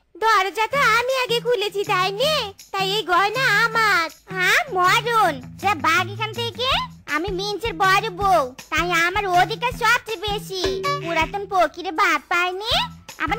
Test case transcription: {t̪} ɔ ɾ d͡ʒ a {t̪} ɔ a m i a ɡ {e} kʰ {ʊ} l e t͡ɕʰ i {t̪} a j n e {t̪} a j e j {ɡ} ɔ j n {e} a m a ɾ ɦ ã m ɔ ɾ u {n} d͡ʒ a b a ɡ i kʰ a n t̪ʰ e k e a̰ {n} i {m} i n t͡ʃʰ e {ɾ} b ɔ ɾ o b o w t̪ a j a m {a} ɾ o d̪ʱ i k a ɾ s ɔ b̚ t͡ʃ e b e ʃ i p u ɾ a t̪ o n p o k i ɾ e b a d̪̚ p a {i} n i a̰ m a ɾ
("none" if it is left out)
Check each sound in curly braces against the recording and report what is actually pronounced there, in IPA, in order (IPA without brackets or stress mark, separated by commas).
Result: d̪, t̪, e, u, t̪, t̪, ɡ, a, n, m, m, ɾ, a, j